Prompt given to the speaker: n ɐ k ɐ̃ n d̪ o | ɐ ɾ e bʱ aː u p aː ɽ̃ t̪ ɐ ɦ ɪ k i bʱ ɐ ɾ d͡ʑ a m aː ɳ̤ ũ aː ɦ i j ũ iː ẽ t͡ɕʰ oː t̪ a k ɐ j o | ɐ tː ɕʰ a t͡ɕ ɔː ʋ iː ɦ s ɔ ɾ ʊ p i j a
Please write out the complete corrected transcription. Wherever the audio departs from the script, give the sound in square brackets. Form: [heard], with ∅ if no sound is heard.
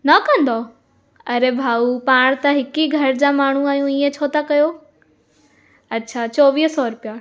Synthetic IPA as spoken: n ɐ k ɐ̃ n d̪ o | ɐ ɾ e bʱ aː u p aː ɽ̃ t̪ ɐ ɦ ɪ k i [ɡʱ] ɐ ɾ d͡ʑ a m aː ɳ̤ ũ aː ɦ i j ũ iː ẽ t͡ɕʰ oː t̪ a k ɐ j o | ɐ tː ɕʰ a t͡ɕ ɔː ʋ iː ɦ s ɔ ɾ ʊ p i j a